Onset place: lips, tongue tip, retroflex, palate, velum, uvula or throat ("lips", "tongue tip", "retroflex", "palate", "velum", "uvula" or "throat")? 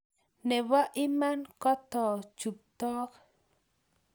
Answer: tongue tip